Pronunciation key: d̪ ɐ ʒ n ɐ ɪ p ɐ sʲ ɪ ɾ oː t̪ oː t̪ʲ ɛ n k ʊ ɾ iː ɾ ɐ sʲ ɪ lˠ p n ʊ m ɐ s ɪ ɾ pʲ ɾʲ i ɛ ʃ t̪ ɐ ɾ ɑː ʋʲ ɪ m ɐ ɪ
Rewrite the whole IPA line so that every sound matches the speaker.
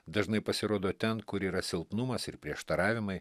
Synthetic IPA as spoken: d̪ ɐ ʒ n ɐ ɪ p ɐ sʲ ɪ ɾ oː d̪ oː t̪ʲ ɛ n k ʊ ɾ iː ɾ ɐ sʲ ɪ lˠ p n ʊ m ɐ s ɪ ɾ pʲ ɾʲ i ɛ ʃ t̪ ɐ ɾ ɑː ʋʲ ɪ m ɐ ɪ